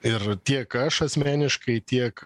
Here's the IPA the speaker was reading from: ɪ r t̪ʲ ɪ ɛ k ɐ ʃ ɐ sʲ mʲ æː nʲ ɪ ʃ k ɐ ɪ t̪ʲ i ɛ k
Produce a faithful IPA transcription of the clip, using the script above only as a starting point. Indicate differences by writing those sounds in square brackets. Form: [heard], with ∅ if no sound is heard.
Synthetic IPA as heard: ɪ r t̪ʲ [i] ɛ k ɐ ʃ ɐ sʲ mʲ æː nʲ ɪ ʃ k ɐ ɪ t̪ʲ i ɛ k